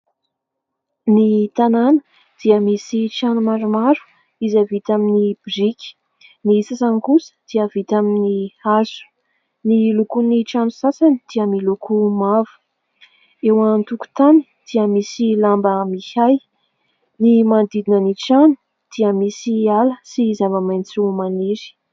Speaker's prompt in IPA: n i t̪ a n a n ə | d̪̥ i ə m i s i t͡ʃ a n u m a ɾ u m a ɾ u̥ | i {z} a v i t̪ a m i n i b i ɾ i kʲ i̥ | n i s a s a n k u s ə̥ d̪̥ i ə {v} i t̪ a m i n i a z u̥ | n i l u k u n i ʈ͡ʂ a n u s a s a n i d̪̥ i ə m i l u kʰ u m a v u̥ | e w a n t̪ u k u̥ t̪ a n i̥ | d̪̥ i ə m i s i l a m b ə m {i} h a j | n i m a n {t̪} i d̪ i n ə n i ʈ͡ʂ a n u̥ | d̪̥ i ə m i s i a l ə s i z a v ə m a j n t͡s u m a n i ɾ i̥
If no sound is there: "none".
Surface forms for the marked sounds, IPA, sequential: z, v, i, d̪

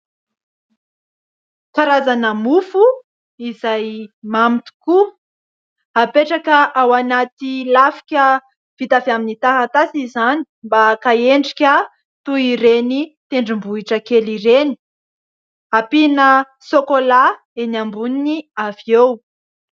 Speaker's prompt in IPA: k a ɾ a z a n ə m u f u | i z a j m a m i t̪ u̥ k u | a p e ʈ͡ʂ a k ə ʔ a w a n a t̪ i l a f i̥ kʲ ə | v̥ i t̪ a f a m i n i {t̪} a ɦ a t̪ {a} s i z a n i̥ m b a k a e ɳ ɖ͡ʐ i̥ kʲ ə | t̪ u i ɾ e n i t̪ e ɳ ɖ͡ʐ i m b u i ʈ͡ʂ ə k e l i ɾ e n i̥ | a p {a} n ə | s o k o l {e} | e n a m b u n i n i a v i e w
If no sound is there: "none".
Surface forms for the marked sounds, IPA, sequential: t̪, a, i, a

